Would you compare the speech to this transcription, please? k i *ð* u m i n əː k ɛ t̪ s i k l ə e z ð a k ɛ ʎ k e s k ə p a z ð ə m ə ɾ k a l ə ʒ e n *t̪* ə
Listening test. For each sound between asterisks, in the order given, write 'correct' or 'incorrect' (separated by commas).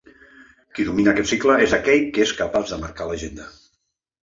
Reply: correct, incorrect